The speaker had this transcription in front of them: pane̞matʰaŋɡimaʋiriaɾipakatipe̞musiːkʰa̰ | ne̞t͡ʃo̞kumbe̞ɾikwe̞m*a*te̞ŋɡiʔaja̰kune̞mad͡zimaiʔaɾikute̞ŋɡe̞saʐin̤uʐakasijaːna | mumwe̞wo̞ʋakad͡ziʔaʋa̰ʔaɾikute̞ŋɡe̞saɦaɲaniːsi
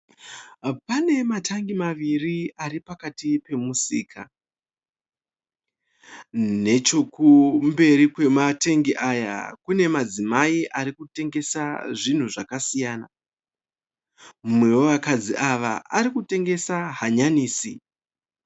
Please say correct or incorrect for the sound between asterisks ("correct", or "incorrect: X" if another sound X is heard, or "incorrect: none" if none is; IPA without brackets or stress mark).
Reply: correct